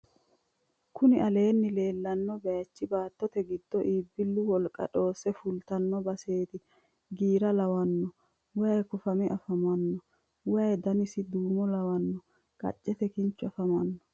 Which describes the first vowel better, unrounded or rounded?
rounded